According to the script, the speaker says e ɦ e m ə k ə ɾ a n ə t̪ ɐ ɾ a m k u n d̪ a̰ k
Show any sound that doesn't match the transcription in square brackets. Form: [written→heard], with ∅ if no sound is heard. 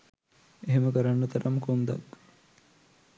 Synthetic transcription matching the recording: e ɦ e m ə k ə ɾ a [n→nː] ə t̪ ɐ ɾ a m k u n d̪ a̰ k